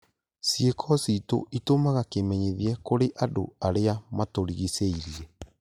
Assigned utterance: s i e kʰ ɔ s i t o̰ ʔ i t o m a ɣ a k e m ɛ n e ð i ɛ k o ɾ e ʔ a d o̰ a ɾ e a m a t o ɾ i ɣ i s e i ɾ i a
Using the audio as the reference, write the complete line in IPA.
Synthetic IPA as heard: s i e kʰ ɔ s i t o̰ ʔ i t o m a ɣ a k e m ɛ ɲ e ð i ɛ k o ɾ e ʔ a d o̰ a ɾ e a m a t o ɾ i ɣ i s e i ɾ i ɛ